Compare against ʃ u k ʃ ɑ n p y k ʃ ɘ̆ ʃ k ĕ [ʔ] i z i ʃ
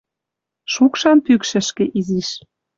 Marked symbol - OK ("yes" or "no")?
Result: yes